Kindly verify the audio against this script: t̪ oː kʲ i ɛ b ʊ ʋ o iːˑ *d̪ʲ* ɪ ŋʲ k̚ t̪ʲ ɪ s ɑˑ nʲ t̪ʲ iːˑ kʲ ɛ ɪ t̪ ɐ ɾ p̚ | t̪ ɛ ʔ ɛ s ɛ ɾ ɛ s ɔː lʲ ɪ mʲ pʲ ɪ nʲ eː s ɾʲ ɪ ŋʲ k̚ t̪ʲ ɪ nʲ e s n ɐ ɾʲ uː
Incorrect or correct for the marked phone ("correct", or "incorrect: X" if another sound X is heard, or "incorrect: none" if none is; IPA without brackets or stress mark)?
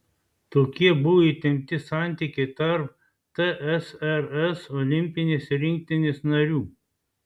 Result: incorrect: t̪ʲ